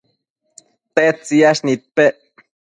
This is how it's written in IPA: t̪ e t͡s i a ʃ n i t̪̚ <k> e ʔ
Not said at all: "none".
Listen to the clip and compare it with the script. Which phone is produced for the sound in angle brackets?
p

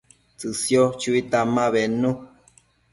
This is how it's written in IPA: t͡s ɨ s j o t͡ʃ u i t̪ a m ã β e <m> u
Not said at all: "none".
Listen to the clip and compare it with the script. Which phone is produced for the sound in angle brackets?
n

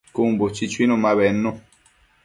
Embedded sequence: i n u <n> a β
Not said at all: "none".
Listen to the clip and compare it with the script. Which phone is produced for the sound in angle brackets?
m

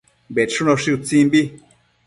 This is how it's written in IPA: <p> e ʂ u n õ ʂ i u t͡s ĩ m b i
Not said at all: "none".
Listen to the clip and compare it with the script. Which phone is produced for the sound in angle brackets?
b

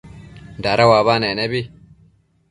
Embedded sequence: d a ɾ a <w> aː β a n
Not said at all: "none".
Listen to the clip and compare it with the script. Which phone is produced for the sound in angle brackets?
w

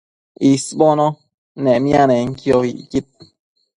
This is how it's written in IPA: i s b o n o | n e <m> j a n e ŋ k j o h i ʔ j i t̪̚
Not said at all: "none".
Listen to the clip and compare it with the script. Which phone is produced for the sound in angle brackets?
m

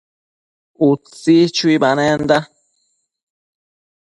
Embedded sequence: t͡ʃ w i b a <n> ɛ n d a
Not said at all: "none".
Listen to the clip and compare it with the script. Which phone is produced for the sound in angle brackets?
n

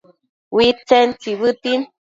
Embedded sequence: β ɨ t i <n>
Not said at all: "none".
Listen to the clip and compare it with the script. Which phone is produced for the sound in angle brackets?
n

